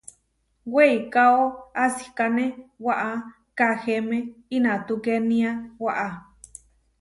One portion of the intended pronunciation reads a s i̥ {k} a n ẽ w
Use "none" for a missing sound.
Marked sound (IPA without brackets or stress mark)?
k